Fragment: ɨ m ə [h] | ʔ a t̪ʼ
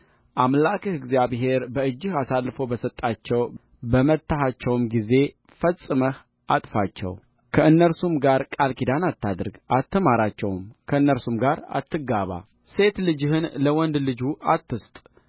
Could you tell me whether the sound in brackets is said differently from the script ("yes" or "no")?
no